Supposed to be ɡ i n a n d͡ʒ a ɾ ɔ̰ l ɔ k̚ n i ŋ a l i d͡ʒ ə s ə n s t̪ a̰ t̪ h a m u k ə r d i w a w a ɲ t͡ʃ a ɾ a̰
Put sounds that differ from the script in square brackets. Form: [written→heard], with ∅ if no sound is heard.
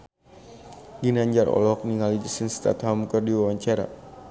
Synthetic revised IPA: ɡ i n a [n→ɲ] d͡ʒ a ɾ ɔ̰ l ɔ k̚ n i ŋ a l i d͡ʒ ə s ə n s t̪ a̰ t̪ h a m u k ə r d i w a w a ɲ t͡ʃ a ɾ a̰